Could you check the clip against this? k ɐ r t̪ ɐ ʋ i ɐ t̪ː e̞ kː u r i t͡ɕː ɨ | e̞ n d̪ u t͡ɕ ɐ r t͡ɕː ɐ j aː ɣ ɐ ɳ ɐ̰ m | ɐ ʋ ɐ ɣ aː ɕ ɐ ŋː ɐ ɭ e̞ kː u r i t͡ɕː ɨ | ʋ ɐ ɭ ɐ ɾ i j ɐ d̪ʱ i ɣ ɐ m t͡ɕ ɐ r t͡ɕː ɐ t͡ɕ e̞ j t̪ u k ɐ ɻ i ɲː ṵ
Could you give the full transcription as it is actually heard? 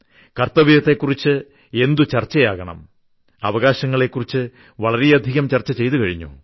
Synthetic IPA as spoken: k ɐ r t̪ ɐ ʋ i ɐ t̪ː e̞ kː u r i t͡ɕː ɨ | e̞ n d̪ u t͡ɕ ɐ r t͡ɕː ɐ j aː ɣ ɐ ɳ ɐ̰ m | ɐ ʋ ɐ ɣ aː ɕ ɐ ŋː ɐ ɭ e̞ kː u r i t͡ɕː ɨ | ʋ ɐ ɭ ɐ ɾ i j ɐ d̪ʱ i ɣ ɐ m t͡ɕ ɐ r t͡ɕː ɐ t͡ɕ e̞ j t̪ u k ɐ ɻ i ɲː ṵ